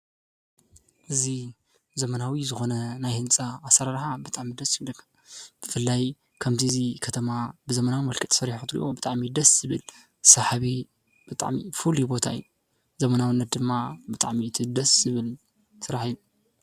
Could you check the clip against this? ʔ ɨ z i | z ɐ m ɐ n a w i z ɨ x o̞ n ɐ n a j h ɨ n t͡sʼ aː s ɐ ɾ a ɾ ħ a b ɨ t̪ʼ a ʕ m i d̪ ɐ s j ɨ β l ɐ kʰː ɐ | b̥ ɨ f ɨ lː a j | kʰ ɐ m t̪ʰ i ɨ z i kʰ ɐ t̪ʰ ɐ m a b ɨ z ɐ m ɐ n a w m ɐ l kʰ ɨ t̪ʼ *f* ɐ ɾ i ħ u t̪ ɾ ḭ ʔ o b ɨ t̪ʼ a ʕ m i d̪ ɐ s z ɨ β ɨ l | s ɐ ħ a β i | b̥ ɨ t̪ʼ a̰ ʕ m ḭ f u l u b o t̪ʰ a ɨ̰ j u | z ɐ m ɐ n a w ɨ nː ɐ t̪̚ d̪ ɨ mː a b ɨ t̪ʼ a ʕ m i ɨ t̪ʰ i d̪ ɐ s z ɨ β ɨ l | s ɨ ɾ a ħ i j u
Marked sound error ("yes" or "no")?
yes